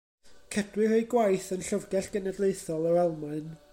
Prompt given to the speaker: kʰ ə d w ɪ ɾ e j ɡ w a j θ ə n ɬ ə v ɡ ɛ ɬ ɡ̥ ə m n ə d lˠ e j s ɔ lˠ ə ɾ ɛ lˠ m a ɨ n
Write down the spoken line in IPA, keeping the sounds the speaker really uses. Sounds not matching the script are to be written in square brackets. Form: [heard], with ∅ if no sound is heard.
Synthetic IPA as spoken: kʰ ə d w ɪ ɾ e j ɡ w a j θ ə n ɬ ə v ɡ ɛ ɬ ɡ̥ ə [∅] n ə d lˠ e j [θ] ɔ lˠ ə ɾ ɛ lˠ m a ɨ n